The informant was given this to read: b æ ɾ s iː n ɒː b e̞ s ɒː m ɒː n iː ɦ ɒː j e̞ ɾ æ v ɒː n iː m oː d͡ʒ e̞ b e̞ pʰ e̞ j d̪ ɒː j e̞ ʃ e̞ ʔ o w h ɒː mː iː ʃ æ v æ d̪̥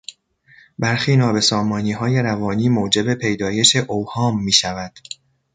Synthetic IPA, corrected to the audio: b æ ɾ x iː n ɒː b e̞ s ɒː m ɒː n iː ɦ ɒː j e̞ ɾ æ v ɒː n iː m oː d͡ʒ e̞ b e̞ pʰ e̞ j d̪ ɒː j e̞ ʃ e̞ ʔ o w h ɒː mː iː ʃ æ v æ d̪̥